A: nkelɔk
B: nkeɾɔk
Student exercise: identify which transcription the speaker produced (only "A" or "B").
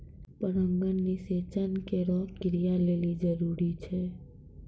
B